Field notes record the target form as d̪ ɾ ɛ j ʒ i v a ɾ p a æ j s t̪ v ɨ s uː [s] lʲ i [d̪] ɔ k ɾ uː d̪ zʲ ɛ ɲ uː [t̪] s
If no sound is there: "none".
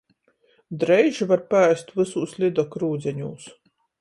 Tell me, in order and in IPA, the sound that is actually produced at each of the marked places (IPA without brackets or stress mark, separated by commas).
s, d̪, none